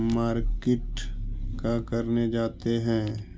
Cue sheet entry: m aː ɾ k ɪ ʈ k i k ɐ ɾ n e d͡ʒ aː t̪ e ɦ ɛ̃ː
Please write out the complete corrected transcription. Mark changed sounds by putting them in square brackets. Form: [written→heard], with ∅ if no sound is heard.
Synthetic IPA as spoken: m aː ɾ k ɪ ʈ k [i→a] k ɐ ɾ n e d͡ʒ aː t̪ e ɦ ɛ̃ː